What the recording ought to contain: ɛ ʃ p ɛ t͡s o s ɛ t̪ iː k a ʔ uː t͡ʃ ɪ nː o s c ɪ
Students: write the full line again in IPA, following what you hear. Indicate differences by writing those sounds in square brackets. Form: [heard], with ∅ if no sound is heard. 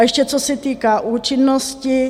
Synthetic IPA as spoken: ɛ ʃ [c] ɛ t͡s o s ɛ t̪ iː k a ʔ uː t͡ʃ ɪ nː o s c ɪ